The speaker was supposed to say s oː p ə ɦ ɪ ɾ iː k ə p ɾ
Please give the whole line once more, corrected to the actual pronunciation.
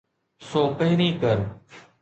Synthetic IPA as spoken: s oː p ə ɦ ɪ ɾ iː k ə ɾ